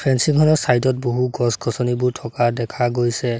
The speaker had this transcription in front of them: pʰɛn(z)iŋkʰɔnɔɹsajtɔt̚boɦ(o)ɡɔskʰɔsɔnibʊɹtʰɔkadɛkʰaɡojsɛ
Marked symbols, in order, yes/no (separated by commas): no, no